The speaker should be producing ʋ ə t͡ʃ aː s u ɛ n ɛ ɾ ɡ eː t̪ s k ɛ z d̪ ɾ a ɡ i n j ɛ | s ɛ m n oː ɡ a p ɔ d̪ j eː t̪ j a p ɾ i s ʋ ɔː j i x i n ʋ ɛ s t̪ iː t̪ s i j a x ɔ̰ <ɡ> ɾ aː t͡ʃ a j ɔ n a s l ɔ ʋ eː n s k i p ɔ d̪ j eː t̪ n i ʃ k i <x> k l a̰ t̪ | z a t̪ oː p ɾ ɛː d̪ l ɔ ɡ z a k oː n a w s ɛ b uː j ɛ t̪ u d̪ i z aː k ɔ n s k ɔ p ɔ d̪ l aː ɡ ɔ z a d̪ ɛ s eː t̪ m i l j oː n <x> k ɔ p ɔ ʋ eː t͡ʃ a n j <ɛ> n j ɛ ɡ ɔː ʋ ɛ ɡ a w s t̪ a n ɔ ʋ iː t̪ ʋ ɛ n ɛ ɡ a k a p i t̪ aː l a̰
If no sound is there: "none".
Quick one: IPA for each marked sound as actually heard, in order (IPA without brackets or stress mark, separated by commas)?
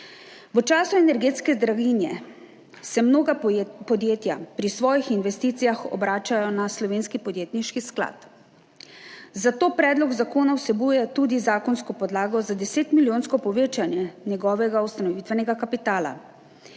b, s, s, ɛ